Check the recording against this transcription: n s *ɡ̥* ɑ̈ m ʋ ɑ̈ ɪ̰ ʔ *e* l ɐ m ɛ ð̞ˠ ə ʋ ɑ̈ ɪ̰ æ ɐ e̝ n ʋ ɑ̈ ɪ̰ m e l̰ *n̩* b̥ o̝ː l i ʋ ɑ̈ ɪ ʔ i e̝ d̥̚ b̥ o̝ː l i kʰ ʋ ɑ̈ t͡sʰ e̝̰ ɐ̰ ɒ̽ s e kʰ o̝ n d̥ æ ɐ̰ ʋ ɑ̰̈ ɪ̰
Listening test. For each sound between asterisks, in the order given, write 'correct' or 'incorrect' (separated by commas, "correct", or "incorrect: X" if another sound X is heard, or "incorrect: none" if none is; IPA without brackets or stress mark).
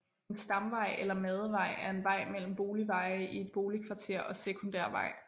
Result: incorrect: d̥, correct, incorrect: m̩